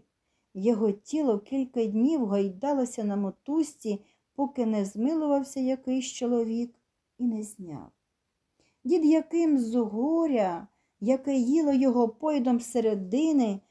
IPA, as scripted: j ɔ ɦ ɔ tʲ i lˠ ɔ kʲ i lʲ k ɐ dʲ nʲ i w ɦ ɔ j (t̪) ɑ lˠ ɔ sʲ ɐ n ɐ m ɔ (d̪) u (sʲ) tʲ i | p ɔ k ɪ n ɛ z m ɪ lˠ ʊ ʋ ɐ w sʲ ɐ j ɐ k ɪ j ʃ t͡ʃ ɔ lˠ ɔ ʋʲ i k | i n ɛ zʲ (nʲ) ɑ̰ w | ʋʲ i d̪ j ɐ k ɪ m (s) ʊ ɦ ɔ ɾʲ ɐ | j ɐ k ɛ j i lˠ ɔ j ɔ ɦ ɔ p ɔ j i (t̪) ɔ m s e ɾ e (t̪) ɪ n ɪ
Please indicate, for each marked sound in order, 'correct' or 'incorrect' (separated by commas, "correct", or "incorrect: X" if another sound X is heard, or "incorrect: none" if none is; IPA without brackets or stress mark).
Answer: incorrect: d̪, incorrect: t̪, correct, correct, incorrect: z, incorrect: d̪, incorrect: d̪